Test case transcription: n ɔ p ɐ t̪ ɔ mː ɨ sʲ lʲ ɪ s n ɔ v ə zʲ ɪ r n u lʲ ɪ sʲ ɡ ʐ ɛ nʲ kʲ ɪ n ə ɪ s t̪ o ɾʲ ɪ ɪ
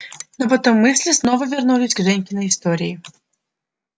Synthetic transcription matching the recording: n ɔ p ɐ t̪ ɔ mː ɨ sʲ lʲ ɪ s n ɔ v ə vʲ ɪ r n u lʲ ɪ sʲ ɡ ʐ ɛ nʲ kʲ ɪ n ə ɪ s t̪ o ɾʲ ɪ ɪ